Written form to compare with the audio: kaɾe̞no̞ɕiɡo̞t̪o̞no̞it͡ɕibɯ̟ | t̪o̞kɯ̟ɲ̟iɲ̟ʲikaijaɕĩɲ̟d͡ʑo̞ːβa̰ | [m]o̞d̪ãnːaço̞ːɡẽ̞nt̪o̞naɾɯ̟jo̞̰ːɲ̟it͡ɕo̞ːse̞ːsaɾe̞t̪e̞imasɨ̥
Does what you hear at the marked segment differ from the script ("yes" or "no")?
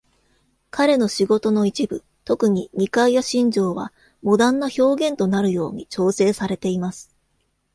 no